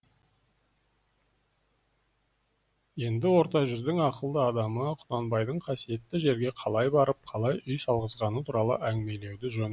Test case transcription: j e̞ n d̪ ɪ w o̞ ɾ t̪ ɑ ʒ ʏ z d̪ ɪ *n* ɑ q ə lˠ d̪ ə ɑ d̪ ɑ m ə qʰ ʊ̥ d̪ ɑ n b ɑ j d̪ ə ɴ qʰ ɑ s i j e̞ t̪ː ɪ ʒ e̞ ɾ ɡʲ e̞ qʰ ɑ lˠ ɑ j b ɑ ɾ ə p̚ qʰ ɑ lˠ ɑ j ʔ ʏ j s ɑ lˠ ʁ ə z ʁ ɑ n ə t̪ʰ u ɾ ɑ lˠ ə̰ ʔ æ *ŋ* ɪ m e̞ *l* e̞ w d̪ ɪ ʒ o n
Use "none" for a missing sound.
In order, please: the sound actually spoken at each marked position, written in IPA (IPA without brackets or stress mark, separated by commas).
ŋ, ŋ, l